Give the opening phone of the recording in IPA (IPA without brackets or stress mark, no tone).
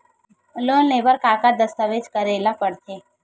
l